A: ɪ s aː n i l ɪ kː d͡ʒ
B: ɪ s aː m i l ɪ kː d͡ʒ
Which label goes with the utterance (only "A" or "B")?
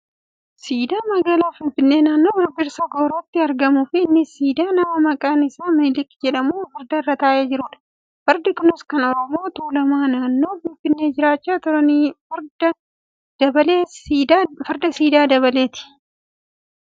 B